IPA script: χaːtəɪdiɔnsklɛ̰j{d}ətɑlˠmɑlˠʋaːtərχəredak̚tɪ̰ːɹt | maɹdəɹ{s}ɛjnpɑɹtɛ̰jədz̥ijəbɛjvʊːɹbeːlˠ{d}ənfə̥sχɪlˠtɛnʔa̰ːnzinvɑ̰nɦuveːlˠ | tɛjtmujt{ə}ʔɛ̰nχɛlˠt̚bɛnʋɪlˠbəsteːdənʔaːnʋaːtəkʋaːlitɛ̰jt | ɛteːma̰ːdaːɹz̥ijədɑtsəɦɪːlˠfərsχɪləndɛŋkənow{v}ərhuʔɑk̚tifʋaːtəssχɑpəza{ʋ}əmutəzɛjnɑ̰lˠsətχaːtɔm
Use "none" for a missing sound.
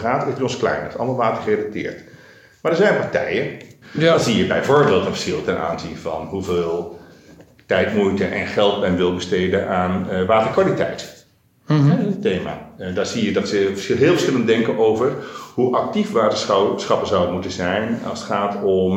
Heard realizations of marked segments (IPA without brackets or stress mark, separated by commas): n, z, t, ə, v, w